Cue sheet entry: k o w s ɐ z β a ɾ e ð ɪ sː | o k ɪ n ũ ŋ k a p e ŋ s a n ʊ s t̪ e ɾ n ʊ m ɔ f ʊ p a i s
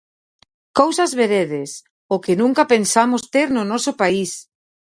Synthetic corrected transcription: k o w s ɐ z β e ɾ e ð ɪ s | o k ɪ n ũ ŋ k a p e n s a m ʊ s t̪ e ɾ n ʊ n ɔ s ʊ p a i s